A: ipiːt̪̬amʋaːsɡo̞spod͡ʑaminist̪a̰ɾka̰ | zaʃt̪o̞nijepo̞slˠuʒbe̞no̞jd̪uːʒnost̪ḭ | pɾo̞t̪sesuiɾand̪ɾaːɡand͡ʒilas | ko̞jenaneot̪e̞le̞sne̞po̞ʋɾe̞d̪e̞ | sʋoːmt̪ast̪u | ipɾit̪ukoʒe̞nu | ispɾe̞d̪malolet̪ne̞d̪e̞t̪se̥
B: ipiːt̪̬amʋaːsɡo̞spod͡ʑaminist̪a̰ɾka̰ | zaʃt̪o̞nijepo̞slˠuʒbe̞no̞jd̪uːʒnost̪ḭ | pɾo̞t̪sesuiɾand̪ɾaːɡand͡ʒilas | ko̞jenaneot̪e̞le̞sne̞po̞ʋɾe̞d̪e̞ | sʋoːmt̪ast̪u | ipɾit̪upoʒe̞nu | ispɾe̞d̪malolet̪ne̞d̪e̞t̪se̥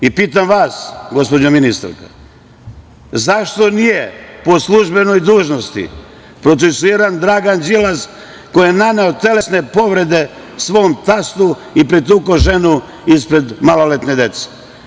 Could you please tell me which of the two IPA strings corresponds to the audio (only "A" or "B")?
A